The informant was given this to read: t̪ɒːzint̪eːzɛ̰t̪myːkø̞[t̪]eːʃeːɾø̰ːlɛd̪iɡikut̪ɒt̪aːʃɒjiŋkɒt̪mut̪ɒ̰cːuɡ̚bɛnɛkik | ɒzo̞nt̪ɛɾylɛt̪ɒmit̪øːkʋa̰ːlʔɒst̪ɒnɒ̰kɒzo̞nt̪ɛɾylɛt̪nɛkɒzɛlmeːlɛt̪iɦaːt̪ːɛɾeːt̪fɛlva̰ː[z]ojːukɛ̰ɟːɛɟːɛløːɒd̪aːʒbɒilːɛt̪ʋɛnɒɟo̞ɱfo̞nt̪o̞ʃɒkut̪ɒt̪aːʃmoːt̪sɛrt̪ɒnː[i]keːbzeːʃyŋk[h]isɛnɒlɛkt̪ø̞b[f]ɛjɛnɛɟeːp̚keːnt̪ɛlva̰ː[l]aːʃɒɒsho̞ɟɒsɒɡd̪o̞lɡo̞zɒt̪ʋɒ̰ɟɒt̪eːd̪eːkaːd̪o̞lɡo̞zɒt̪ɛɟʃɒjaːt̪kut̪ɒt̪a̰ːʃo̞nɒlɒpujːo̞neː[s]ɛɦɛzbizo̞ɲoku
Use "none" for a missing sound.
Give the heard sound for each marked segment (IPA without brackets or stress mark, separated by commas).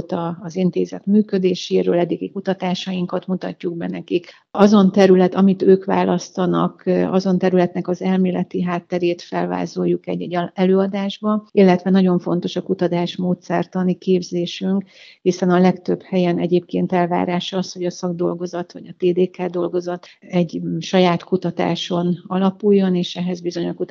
d̪, z, i, h, h, ɾ, ʃ